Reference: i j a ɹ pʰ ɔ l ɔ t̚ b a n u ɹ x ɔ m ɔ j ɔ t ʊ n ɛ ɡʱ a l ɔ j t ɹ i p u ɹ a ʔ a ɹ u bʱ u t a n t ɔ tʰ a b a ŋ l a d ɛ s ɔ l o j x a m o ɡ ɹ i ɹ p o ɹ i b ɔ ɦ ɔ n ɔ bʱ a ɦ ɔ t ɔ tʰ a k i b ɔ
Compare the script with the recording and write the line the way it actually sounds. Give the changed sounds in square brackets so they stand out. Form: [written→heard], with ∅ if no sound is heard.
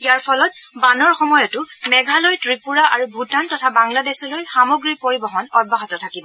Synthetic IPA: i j a ɹ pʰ ɔ l ɔ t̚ b a n [u→ɔ] ɹ x ɔ m ɔ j ɔ t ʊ [n→m] ɛ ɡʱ a l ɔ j t ɹ i p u ɹ a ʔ a ɹ u bʱ u t a n t ɔ tʰ a b a ŋ l a d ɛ s ɔ l o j x a m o ɡ ɹ i ɹ p o ɹ i b ɔ ɦ ɔ n ɔ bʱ a ɦ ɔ t ɔ tʰ a k i b ɔ